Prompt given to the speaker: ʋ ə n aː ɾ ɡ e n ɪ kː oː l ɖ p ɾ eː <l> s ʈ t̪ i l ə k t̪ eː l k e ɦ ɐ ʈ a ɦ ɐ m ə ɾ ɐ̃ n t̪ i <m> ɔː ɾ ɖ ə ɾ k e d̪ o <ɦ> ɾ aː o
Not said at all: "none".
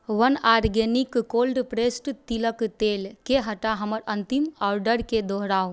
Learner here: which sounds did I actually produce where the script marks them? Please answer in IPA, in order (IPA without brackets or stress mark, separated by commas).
none, m, ɦ